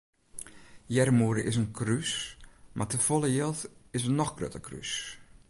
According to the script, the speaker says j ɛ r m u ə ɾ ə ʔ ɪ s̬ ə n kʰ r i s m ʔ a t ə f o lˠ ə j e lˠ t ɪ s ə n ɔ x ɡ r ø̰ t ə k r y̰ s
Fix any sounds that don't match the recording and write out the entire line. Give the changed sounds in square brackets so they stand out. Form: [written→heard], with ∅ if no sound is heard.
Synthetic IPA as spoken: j ɛ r m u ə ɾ ə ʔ ɪ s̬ ə n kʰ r [i→y] s m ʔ a t ə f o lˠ ə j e lˠ t ɪ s ə n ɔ x ɡ r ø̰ t ə k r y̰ s